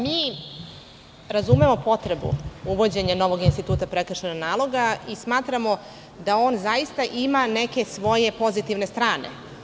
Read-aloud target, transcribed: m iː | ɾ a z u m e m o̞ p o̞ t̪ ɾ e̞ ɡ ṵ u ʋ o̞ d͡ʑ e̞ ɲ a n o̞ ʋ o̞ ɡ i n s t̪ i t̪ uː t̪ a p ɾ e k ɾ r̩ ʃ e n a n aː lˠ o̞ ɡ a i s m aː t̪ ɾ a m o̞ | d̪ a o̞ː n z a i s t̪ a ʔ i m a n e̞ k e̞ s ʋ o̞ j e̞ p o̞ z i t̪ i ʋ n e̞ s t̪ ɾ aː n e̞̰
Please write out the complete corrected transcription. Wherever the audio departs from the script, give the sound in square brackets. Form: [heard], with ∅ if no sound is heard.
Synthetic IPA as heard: m iː | ɾ a z u m e m o̞ p o̞ t̪ ɾ e̞ [b] ṵ u ʋ o̞ d͡ʑ e̞ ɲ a n o̞ ʋ o̞ ɡ i n s t̪ i t̪ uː t̪ a p ɾ e k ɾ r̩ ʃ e n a n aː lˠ o̞ ɡ a i s m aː t̪ ɾ a m o̞ | d̪ a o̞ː n z a i s t̪ a ʔ i m a n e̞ k e̞ s ʋ o̞ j e̞ p o̞ z i t̪ i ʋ n e̞ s t̪ ɾ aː n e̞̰